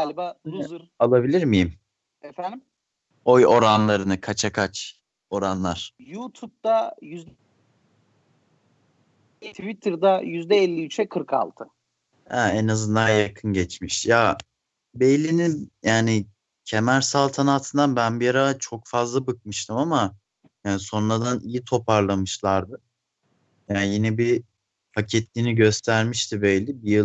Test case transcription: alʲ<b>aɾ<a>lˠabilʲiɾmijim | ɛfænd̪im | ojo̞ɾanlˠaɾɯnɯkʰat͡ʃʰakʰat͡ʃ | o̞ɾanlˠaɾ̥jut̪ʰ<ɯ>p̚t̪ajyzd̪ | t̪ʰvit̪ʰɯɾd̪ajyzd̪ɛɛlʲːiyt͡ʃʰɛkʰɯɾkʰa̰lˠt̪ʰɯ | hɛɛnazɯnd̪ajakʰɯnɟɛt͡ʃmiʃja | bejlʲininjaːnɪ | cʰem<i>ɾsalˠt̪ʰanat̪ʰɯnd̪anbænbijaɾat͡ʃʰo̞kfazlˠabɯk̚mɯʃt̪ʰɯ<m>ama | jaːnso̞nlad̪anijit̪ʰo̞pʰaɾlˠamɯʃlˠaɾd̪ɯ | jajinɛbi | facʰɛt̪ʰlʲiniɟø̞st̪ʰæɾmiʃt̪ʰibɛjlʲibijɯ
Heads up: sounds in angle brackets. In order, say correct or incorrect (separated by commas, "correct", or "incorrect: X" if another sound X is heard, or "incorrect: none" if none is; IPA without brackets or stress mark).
correct, correct, incorrect: u, incorrect: æ, correct